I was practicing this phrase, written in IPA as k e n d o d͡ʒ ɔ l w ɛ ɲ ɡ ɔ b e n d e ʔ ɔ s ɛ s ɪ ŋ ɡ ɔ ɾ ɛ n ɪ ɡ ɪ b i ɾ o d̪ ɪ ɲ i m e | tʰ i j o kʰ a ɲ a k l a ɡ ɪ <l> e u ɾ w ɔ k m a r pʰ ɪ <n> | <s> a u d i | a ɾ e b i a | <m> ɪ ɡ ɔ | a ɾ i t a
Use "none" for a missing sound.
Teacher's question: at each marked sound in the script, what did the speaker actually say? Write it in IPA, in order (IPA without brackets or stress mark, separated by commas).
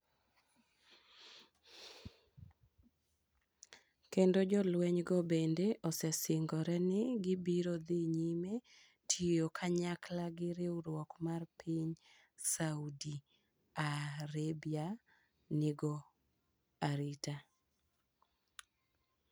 ɾ, ɲ, s, n